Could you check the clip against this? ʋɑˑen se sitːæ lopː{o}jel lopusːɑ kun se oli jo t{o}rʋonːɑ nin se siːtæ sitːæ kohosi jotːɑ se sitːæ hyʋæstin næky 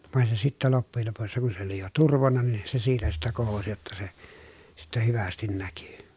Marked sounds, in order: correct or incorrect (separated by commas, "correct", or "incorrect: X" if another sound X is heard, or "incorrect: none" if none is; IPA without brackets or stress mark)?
incorrect: u, incorrect: u